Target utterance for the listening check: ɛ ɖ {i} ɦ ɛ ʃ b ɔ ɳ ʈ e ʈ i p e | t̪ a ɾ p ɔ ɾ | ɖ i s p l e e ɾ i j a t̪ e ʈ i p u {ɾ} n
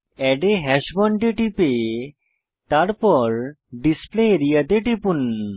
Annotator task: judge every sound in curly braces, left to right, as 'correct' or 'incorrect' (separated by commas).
incorrect, incorrect